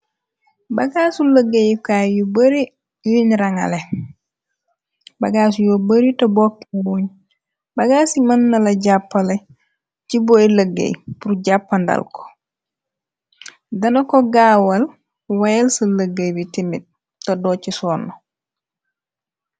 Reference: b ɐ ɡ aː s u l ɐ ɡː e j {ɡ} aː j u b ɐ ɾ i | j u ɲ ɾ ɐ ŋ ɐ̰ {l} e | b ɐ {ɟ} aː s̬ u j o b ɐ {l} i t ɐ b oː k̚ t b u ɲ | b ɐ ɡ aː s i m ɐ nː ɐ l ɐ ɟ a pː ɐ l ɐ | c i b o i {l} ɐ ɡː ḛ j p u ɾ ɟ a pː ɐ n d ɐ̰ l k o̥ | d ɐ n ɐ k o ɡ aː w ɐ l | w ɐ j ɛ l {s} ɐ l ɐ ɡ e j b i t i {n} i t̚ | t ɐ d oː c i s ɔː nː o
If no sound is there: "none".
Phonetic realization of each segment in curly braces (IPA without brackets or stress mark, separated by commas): k, l, ɡ, ɾ, l, s, m